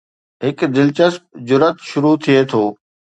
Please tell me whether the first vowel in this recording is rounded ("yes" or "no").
no